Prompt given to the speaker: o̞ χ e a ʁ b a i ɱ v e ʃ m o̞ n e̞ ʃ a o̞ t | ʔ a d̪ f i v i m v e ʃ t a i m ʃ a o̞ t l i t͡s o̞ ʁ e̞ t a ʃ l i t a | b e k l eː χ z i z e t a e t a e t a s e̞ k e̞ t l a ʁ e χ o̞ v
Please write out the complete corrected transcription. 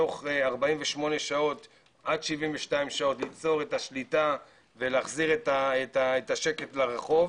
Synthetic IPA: o̞ χ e a ʁ b a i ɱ v e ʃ m o̞ n e̞ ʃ a o̞ t | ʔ a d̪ ʃ i v i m v e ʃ t a i m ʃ a o̞ t l i t͡s o̞ ʁ e̞ t a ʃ l i t a | v e l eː χ z i ʁ e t a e t a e t a ʃ e̞ k e̞ t l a ʁ e χ o̞ v